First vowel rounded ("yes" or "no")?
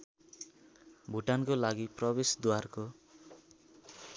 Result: yes